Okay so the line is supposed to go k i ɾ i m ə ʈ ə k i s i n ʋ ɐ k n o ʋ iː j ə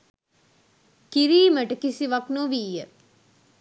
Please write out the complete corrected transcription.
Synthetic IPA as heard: k i ɾ iː m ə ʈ ə k i s i ʋ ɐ k n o ʋ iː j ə